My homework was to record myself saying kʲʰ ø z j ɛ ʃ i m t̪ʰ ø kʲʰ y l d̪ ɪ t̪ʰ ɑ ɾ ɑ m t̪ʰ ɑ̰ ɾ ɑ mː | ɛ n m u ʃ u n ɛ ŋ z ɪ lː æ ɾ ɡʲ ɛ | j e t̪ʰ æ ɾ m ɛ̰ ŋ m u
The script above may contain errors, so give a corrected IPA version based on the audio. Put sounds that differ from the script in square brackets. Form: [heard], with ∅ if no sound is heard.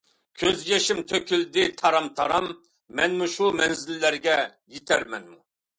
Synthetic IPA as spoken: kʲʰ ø z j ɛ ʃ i m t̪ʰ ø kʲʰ y l d̪ ɪ t̪ʰ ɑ ɾ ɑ m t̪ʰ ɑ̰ ɾ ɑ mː | ɛ n m u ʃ u [m] ɛ [n] z ɪ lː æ ɾ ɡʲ ɛ | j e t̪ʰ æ ɾ m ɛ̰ [n] m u

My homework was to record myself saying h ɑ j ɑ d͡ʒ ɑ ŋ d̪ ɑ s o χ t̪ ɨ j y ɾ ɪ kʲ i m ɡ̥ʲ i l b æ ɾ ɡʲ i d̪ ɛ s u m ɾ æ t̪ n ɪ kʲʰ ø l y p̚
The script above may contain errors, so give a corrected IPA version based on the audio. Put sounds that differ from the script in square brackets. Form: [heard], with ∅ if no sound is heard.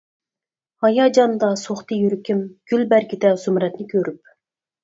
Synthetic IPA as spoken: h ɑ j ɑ d͡ʒ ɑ [n] d̪ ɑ s o χ t̪ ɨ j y ɾ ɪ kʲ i m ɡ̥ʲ [y] l b æ ɾ ɡʲ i d̪ ɛ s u m ɾ [ɛ] t̪ n ɪ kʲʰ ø [ɾ] y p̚

